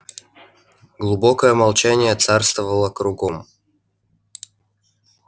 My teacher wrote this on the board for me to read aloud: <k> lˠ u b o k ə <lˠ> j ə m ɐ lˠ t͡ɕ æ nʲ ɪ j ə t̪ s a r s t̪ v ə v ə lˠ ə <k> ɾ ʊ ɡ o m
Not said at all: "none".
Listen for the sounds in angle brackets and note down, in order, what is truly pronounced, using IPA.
ɡ, none, k

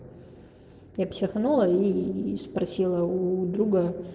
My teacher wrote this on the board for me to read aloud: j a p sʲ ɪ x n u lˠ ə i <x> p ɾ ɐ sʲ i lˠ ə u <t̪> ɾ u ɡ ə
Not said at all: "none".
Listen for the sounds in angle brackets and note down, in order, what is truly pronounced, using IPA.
s, d̪

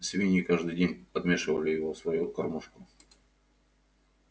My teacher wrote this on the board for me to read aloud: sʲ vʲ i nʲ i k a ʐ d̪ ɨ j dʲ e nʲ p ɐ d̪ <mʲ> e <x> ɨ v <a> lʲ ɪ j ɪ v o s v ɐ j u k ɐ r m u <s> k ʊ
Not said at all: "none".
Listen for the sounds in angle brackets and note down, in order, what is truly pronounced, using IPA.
mʲ, ʂ, ə, ʂ

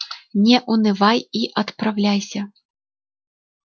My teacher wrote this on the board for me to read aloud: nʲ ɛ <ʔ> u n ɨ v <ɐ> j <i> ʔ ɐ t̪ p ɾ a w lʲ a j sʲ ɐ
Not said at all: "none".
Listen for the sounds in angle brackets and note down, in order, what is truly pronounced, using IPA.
ʔ, a, i

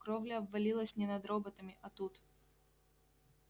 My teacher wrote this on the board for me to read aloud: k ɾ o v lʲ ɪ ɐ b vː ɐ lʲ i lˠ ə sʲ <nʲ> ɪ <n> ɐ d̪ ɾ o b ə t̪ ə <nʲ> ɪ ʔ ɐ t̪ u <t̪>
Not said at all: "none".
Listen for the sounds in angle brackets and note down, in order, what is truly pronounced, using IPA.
nʲ, n, mʲ, t̪

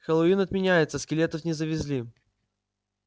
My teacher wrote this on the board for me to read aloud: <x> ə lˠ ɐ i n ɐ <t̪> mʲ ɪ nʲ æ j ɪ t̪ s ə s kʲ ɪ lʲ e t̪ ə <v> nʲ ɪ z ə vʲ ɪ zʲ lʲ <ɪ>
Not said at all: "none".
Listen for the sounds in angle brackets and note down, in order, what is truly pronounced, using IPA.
x, t̪, f, i

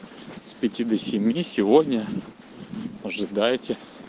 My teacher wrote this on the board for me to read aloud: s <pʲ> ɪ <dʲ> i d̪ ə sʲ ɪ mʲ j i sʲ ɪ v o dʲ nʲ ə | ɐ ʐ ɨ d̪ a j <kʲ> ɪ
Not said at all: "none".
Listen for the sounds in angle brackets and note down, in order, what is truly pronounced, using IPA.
pʲ, tʲ, tʲ

